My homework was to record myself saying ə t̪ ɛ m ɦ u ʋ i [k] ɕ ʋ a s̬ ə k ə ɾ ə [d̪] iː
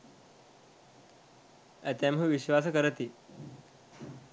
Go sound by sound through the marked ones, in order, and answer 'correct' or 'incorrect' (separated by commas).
incorrect, incorrect